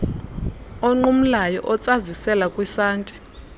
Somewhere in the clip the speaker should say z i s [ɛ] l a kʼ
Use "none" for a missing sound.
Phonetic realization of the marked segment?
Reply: ɛ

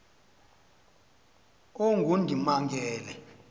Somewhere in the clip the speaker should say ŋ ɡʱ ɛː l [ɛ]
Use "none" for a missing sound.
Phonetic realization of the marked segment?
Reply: ɛ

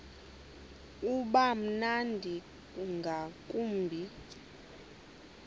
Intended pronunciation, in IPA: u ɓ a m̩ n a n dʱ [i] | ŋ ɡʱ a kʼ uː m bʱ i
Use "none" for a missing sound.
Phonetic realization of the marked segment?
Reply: i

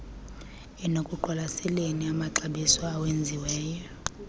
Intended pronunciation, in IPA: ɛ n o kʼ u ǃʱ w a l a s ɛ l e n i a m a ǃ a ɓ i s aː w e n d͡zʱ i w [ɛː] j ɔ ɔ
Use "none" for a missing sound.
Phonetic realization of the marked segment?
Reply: ɛː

